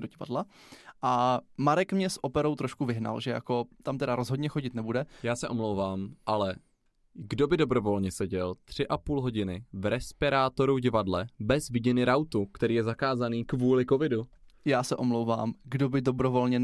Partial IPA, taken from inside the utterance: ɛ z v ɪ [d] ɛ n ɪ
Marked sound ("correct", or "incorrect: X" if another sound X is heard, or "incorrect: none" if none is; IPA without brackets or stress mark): incorrect: ɟ